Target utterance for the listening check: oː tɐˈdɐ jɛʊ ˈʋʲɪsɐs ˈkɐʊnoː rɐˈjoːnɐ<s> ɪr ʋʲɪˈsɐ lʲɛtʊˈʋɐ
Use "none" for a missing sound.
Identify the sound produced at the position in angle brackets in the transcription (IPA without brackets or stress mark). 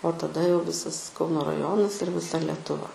s